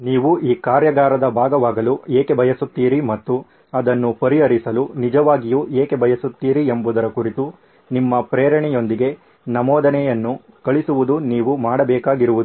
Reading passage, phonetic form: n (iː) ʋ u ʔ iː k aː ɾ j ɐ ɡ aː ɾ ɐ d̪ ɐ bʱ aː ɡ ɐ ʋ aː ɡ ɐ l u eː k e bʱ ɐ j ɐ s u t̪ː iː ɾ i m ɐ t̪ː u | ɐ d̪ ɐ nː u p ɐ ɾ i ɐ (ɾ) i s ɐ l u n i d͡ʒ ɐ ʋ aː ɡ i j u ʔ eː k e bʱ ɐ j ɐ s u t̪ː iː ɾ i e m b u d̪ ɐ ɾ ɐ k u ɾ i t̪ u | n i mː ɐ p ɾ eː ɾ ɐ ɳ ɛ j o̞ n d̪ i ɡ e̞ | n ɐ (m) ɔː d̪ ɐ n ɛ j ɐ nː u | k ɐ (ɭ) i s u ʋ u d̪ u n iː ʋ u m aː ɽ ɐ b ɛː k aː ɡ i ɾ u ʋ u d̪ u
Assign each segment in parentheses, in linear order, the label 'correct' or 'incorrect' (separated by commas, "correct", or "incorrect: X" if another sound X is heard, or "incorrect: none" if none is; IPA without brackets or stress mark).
correct, correct, correct, correct